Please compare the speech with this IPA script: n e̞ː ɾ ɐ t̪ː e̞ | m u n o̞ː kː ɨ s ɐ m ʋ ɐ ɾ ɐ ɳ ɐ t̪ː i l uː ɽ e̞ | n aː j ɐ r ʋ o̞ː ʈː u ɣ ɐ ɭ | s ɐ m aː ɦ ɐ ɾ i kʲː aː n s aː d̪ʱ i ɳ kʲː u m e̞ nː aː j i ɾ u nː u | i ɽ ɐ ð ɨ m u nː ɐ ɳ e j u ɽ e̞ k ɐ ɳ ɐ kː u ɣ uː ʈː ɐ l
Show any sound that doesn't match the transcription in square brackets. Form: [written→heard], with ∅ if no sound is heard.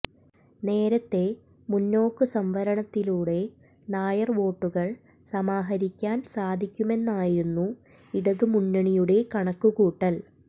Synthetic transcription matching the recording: n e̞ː ɾ ɐ t̪ː e̞ | m u [n→nː] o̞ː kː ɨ s ɐ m ʋ ɐ ɾ ɐ ɳ ɐ t̪ː i l uː ɽ e̞ | n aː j ɐ r ʋ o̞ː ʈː u ɣ ɐ ɭ | s ɐ m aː ɦ ɐ ɾ i kʲː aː n s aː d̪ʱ i [ɳ→∅] kʲː u m e̞ nː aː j i ɾ u nː u | i ɽ ɐ ð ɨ m u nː ɐ ɳ [e→i] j u ɽ e̞ k ɐ ɳ ɐ kː u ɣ uː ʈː ɐ l